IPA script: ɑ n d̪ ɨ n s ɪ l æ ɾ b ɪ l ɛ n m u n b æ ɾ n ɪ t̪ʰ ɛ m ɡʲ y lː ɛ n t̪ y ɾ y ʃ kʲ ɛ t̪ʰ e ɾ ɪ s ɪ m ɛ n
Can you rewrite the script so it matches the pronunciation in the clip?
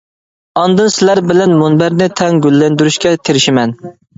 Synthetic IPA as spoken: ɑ n d̪ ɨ n s ɪ l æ ɾ b ɪ l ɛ n m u n b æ ɾ n ɪ t̪ʰ ɛ ŋ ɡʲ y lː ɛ n d̪ y ɾ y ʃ kʲ ɛ t̪ʰ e ɾ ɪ ʃ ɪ m ɛ n